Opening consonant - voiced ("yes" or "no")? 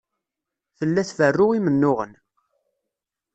no